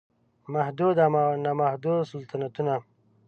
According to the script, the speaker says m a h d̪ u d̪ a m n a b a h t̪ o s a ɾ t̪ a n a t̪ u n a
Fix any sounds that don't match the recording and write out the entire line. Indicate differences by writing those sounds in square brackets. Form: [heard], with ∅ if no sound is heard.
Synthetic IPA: m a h d̪ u d̪ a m n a [m] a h [d̪] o s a [l] t̪ a n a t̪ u n a